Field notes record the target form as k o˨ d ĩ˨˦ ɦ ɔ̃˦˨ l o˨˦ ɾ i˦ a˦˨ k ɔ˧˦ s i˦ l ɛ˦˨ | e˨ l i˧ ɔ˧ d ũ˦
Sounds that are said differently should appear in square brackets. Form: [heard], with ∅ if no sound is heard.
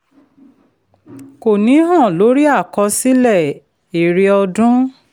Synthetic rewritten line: k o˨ [n] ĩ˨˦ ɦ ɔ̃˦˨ l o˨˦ ɾ i˦ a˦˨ k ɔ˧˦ s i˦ l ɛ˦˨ | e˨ [ɾ] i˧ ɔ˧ d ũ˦